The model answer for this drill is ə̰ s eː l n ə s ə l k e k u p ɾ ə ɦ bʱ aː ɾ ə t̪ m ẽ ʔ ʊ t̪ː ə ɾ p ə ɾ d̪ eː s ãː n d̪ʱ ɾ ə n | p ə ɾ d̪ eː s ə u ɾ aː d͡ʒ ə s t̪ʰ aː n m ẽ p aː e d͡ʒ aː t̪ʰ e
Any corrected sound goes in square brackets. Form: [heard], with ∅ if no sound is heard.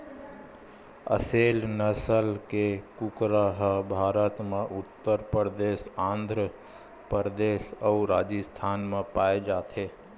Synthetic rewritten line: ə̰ s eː l n ə s ə l k e k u [k] ɾ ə ɦ bʱ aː ɾ ə t̪ m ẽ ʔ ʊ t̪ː ə ɾ p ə ɾ d̪ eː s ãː n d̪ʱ ɾ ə [∅] | p ə ɾ d̪ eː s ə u ɾ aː d͡ʒ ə s t̪ʰ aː n m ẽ p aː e d͡ʒ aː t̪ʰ e